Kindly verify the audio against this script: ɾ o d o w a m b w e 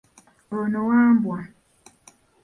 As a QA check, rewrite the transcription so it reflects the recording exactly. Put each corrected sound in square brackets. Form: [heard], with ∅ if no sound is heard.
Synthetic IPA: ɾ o [n] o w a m b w [a]